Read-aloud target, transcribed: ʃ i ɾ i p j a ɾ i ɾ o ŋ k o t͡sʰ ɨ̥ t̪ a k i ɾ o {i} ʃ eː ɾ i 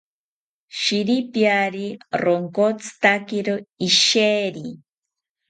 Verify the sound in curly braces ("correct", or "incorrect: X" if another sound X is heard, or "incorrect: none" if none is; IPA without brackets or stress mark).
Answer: correct